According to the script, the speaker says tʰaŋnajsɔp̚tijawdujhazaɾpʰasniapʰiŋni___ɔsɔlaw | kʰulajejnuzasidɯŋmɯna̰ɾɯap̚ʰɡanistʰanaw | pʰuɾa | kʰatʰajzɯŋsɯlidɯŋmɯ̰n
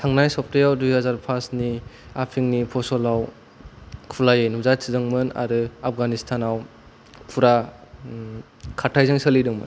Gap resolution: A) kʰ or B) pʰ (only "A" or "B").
B